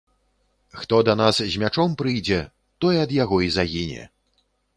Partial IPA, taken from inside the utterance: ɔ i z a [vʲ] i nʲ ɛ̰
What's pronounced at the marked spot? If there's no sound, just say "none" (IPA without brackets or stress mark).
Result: ɣʲ